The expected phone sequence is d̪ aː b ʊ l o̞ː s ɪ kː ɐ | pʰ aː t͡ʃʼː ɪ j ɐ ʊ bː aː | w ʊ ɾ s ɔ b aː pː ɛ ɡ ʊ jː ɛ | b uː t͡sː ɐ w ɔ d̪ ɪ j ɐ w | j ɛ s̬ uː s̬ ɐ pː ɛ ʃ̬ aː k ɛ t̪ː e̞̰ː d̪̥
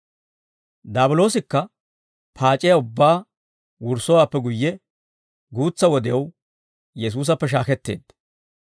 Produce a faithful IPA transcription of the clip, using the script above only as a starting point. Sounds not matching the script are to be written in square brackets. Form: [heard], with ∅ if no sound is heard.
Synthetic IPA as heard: d̪ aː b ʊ l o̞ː s ɪ kː ɐ | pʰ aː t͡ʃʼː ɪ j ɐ ʊ bː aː | w ʊ ɾ s ɔ [w] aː pː ɛ ɡ ʊ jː ɛ | [ɡ] uː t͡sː ɐ w ɔ d̪ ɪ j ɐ w | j ɛ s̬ uː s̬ ɐ pː ɛ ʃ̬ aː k ɛ t̪ː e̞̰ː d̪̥